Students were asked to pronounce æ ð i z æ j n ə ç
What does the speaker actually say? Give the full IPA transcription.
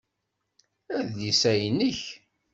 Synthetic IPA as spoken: æ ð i s æ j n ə ç